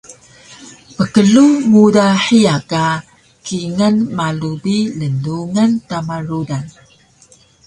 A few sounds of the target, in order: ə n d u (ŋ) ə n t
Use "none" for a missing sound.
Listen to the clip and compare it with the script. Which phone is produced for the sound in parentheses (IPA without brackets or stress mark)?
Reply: ŋ